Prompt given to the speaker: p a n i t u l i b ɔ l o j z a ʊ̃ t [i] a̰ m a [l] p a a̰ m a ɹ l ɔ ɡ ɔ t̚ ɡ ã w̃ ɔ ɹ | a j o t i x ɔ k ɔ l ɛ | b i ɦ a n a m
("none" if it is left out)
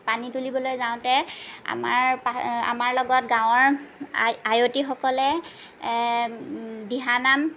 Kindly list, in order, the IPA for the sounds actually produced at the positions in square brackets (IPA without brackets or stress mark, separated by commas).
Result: ɛ, ɹ